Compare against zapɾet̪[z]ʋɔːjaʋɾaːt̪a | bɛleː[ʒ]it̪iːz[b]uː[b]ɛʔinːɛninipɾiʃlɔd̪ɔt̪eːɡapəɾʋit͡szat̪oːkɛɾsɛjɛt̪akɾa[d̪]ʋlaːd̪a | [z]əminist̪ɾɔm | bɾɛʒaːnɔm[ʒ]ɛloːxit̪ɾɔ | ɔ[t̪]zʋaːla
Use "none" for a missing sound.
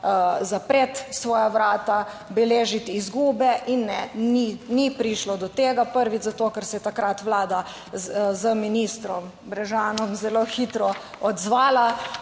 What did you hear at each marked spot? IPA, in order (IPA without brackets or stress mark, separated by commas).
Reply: s, ʒ, ɡ, b, t̪, z, z, d̪